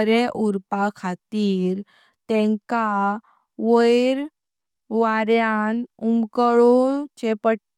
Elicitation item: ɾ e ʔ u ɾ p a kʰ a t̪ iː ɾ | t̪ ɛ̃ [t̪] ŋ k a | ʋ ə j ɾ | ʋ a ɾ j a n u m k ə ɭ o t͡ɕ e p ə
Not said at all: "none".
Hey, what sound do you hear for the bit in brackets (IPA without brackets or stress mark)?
none